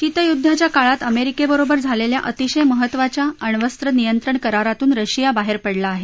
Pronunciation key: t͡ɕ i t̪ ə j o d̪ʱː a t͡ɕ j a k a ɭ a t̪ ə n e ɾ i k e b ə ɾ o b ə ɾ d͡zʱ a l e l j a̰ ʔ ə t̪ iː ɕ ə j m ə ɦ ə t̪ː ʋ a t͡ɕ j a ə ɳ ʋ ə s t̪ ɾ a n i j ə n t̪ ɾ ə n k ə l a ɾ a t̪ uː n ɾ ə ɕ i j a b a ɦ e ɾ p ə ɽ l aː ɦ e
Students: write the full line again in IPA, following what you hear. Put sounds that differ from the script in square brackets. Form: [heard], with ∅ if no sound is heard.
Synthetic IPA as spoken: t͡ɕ i t̪ ə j [u] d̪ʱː a t͡ɕ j a k a ɭ a t̪ ə [m] e ɾ i k e b ə ɾ o b ə ɾ d͡zʱ a l e l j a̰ ʔ ə t̪ [i] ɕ ə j m ə ɦ ə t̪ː ʋ a t͡ɕ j a ə ɳ ʋ ə s t̪ ɾ [ə] n i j ə n t̪ ɾ ə [ɳ] k ə [ɾ] a ɾ a t̪ uː n ɾ ə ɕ i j a b a ɦ e ɾ p ə ɽ l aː ɦ e